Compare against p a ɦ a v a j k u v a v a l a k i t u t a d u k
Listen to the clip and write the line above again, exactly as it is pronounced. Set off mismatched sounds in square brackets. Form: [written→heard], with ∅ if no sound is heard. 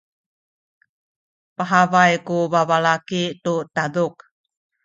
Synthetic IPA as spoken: p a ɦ a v a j k u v a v a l a k i t u t a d u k